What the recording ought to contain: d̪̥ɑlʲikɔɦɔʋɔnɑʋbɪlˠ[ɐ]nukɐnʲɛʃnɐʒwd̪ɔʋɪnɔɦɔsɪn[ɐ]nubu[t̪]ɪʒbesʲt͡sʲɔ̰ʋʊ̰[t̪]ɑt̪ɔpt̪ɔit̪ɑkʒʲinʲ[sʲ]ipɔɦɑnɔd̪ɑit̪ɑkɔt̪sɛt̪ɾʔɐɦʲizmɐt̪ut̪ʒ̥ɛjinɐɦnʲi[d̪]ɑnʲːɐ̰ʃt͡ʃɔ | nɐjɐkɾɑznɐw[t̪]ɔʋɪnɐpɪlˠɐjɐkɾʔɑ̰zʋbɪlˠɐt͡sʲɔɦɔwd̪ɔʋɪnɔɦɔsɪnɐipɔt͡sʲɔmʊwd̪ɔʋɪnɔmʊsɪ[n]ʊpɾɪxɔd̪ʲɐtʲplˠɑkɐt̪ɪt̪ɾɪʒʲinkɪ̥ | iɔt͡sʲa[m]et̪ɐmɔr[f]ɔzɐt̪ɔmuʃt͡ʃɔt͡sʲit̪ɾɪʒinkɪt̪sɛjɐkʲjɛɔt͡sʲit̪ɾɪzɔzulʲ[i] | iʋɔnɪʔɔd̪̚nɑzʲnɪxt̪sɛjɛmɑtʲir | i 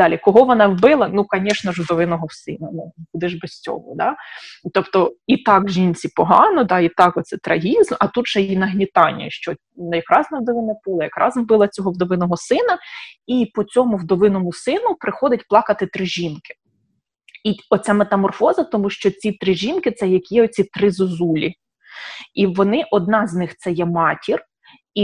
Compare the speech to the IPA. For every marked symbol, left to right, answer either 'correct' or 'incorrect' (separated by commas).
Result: correct, correct, incorrect, incorrect, incorrect, incorrect, incorrect, correct, correct, correct, correct